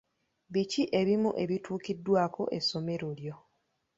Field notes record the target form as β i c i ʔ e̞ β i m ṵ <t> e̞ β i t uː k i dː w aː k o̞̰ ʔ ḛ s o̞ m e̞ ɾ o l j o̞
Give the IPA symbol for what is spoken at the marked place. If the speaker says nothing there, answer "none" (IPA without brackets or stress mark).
ʔ